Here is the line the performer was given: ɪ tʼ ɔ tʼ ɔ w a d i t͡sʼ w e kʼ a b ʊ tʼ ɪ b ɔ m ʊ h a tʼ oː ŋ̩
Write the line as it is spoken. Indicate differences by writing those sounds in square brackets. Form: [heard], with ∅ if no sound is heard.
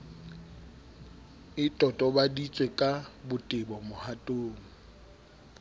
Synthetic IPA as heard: ɪ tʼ ɔ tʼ ɔ [b] a d i t͡sʼ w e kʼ a b ʊ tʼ ɪ b ɔ m ʊ h a tʼ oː ŋ̩